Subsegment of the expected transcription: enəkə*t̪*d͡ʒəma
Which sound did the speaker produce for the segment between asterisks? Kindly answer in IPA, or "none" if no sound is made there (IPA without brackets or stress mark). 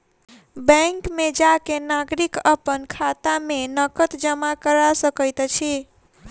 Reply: t̪